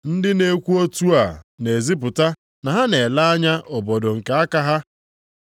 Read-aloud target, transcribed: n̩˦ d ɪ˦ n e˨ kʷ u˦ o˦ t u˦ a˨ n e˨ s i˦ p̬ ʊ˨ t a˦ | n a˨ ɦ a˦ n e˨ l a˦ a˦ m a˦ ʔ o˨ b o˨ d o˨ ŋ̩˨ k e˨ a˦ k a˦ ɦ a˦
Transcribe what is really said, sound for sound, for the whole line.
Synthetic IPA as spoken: n̩˦ d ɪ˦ n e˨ kʷ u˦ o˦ t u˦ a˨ n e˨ z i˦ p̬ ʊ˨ t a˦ | n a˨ ɦ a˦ n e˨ l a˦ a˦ ɲ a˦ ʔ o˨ b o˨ d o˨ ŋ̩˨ k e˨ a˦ k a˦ ɦ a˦

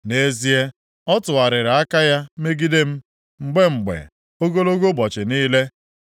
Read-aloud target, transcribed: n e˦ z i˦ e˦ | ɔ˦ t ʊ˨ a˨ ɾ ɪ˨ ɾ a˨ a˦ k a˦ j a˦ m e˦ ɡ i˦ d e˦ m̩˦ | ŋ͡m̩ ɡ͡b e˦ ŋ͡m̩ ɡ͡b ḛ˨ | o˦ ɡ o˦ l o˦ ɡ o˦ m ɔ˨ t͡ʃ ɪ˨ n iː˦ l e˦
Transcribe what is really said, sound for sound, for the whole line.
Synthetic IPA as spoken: n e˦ z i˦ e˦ | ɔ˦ t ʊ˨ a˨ ɾ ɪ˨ ɾ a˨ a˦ k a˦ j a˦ m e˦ ɡ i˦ d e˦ m̩˦ | ŋ͡m̩ ɡ͡b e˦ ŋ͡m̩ ɡ͡b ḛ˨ | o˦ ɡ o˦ l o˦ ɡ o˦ b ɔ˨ t͡ʃ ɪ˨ n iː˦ l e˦

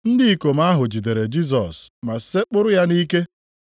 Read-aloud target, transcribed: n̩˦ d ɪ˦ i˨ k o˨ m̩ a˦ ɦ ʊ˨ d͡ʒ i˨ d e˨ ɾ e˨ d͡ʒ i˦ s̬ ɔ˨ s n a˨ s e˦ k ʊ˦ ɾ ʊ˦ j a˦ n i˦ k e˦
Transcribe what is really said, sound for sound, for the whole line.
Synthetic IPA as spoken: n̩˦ d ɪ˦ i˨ k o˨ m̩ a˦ ɦ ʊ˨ d͡ʒ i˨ d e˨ ɾ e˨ d͡ʒ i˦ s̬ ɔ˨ s m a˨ s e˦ k͡p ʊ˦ ɾ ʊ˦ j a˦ n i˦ k e˦

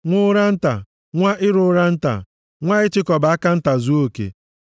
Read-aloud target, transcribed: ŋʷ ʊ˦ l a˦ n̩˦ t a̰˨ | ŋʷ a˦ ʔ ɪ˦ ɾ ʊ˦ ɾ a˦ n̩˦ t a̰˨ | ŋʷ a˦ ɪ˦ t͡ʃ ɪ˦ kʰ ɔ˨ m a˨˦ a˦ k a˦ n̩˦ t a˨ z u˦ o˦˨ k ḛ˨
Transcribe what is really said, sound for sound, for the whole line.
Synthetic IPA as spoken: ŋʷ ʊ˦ ɾ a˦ n̩˦ t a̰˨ | ŋʷ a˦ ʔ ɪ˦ ɾ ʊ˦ ɾ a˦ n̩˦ t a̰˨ | ŋʷ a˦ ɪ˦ t͡ʃ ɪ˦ k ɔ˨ b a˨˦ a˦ k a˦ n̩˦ t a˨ z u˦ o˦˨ k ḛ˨

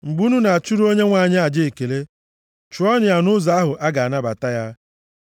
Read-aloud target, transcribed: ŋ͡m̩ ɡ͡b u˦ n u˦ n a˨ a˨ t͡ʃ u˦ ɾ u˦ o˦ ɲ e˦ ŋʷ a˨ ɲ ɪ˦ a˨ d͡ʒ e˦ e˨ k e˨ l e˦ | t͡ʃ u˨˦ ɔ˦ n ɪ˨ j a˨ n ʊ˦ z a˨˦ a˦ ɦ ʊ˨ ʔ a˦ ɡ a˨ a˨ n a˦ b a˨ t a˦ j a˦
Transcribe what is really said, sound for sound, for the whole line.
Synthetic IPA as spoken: ŋ͡m̩ ɡ͡b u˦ n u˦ n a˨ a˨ t͡ʃ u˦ ɾ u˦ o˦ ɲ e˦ ŋʷ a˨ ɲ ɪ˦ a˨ d͡ʒ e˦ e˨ k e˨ l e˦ | t͡ʃ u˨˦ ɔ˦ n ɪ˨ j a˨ n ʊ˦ z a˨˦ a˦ ɦ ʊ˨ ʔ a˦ ɡ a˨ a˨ n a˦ b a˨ t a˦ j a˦

